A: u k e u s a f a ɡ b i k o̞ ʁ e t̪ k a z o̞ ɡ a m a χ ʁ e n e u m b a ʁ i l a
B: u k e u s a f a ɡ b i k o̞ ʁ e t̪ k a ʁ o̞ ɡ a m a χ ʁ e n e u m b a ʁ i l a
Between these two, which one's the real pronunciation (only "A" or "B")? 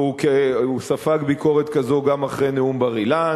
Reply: A